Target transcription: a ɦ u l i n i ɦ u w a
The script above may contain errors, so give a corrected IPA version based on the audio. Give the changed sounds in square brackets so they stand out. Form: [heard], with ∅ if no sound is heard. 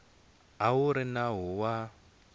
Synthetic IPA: a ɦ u [ɾ] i n [a] ɦ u w a